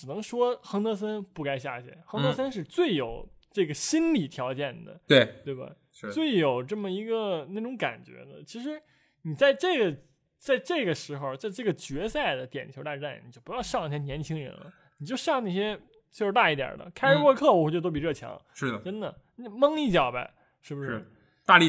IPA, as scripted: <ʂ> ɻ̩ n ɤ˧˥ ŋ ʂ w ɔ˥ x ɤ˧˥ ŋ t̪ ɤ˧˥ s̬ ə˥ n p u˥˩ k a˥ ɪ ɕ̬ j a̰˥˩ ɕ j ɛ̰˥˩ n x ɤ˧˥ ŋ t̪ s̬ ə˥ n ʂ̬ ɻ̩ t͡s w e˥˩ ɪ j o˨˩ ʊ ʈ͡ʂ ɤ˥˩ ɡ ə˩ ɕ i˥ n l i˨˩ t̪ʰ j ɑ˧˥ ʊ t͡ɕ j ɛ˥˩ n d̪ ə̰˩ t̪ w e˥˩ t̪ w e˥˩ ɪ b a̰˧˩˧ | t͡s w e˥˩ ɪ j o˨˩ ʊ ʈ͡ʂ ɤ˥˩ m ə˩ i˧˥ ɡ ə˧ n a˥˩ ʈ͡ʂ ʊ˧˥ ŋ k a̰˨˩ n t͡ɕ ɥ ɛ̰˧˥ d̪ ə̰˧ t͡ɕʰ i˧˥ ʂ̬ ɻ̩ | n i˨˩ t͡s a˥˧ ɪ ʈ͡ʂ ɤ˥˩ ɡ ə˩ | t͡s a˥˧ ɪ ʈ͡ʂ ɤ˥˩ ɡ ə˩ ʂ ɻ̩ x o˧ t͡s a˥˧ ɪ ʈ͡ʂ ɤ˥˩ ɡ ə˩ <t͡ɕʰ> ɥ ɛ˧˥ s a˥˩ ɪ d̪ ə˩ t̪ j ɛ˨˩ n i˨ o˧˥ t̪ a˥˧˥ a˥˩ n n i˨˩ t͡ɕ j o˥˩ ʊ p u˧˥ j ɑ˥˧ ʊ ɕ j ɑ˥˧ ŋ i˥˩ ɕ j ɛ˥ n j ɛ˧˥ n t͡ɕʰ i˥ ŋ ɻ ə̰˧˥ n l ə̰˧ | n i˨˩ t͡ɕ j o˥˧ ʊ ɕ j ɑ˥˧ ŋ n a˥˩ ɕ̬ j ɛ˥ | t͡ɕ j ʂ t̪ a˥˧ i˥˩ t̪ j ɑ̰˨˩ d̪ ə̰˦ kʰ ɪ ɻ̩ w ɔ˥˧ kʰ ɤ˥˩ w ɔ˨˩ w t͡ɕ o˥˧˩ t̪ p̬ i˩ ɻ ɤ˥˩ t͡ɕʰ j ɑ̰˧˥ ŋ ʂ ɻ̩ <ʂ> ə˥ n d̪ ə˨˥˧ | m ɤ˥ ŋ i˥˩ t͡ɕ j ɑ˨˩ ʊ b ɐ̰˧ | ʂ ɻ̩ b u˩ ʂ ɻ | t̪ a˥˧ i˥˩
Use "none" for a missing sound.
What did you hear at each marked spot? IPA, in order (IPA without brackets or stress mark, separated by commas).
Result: ʈ͡ʂ, t͡ɕ, ʈ͡ʂ